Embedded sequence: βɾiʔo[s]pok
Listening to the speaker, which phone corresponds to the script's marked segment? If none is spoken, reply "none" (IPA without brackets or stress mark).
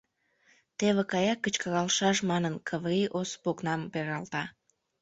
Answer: s